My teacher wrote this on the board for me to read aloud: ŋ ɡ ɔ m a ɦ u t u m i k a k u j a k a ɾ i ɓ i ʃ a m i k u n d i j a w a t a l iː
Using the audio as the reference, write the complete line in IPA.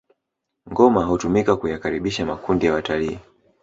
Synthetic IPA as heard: ŋ ɡ ɔ m a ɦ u t u m i k a k u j a k a ɾ i ɓ i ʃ a m a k u n d i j a w a t a l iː